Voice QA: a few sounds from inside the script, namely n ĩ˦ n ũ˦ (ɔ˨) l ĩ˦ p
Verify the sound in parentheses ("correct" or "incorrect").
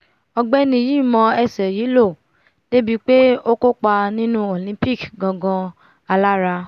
incorrect